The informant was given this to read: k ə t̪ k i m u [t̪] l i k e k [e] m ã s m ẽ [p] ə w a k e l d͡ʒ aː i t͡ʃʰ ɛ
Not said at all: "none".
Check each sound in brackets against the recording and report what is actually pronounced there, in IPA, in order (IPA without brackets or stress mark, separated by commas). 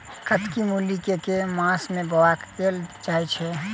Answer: none, e, b